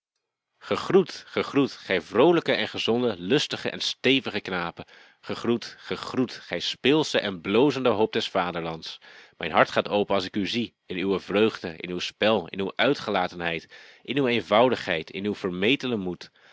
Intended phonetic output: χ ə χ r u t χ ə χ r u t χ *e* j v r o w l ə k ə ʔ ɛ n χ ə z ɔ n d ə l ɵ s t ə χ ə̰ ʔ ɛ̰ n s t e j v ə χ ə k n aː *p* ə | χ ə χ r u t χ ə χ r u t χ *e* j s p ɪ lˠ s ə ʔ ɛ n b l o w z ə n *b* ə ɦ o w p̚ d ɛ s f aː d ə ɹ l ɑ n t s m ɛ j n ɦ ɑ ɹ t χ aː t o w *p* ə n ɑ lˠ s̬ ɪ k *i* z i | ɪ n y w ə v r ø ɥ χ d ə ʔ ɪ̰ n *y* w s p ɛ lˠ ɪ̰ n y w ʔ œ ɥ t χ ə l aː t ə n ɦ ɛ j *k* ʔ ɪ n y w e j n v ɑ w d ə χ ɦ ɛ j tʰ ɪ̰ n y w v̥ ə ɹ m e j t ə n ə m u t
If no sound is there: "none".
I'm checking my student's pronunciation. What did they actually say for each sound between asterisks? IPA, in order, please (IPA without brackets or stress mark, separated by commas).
ɛ, p, ɛ, d, p, y, y, t